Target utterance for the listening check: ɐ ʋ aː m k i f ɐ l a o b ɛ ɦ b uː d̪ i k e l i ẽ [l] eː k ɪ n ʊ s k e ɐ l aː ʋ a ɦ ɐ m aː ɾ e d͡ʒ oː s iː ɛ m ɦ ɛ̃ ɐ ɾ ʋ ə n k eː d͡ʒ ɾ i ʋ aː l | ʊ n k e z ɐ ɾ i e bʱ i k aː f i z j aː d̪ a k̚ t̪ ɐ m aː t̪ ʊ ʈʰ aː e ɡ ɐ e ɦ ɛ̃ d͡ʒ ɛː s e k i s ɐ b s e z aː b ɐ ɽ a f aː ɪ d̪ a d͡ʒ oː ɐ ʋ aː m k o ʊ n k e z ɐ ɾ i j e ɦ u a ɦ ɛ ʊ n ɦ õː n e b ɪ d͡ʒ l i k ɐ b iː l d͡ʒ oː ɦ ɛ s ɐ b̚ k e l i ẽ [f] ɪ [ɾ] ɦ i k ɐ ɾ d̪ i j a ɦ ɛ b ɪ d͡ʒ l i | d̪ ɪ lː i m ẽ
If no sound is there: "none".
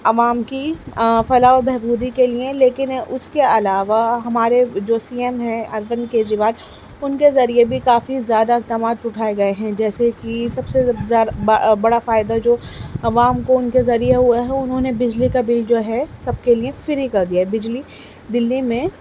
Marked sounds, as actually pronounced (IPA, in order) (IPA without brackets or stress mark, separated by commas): l, f, ɾ